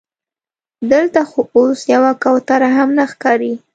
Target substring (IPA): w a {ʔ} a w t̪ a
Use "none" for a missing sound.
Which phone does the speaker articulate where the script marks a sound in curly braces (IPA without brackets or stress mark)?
k